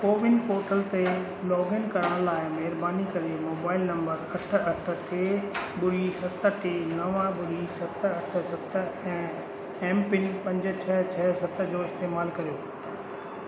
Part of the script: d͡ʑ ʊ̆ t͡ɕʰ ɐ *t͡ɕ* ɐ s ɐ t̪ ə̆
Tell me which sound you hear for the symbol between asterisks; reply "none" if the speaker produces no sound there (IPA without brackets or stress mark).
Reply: t͡ɕʰ